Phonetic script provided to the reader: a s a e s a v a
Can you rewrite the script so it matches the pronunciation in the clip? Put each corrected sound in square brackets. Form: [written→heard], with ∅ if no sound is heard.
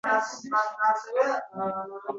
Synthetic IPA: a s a [e→a] s [a→ɛ] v [a→ɛ]